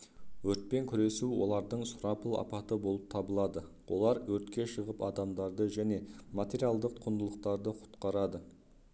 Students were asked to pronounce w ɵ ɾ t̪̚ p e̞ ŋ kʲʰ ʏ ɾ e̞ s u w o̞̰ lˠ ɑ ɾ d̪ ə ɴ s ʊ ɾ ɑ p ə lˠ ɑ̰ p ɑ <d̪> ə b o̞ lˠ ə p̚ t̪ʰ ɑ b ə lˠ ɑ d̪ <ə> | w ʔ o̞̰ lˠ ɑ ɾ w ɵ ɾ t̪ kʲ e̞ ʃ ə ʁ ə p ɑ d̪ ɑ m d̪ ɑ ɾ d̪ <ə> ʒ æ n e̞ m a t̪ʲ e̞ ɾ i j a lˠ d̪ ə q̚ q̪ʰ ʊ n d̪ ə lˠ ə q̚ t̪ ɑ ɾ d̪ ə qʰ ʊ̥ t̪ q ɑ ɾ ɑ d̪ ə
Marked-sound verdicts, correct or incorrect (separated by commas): incorrect, correct, correct